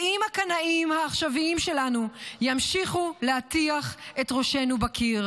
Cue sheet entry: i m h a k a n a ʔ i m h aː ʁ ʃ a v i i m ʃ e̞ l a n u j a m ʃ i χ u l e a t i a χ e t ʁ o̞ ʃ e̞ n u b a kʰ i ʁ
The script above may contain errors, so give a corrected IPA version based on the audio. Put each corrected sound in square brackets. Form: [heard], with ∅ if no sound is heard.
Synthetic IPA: i m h a k a n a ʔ i m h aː [χ] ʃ a v i i m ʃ e̞ l a n u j a m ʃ i χ u l e a t i a χ e t ʁ o̞ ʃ e̞ n u b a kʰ i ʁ